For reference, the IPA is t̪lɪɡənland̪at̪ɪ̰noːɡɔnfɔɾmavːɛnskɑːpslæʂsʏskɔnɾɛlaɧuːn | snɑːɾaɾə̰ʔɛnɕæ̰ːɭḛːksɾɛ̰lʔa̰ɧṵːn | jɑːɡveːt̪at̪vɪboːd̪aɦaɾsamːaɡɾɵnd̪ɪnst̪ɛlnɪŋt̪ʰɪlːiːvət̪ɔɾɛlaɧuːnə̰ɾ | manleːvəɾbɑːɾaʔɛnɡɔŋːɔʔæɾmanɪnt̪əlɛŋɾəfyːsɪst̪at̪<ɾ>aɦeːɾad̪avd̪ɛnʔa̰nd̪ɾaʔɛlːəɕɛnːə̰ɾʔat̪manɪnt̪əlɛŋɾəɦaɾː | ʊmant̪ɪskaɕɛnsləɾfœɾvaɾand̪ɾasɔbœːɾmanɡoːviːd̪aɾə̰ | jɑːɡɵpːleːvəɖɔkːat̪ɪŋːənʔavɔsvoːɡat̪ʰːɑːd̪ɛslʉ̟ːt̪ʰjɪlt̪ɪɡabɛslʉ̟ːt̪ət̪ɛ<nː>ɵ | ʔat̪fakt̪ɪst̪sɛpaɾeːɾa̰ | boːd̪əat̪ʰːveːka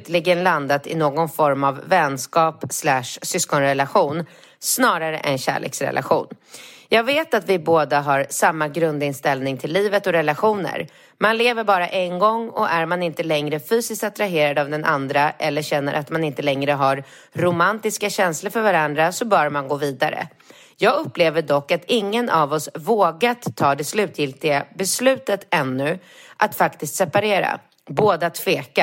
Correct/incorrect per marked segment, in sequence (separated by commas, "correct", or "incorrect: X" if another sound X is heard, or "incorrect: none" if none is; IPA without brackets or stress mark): correct, correct